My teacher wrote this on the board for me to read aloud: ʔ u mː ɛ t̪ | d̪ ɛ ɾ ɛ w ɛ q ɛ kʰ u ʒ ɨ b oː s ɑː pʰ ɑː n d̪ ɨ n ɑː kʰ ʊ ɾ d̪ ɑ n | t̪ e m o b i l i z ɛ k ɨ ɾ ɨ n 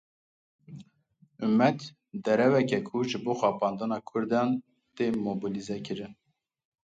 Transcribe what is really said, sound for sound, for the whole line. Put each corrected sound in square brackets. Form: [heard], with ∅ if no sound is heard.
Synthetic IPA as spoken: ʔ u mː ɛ t̪ | d̪ ɛ ɾ ɛ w ɛ [k] ɛ kʰ u ʒ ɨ b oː [x] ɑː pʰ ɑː n d̪ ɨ n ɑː kʰ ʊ ɾ d̪ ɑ n | t̪ e m o b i l i z ɛ k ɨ ɾ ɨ n